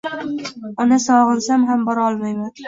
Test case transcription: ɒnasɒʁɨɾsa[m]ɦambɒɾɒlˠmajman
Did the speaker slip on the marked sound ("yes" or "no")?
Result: no